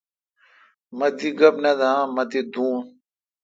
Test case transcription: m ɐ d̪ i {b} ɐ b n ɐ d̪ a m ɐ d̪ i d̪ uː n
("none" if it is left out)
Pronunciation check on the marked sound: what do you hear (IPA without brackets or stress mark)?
ɡ